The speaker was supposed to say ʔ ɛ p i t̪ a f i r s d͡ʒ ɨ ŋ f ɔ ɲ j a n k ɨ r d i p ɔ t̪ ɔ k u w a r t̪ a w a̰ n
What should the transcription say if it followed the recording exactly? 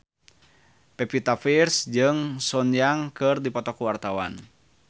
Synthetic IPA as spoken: p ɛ p i t̪ a f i r s d͡ʒ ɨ ŋ s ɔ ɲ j a ŋ k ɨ r d i p ɔ t̪ ɔ k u w a r t̪ a w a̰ n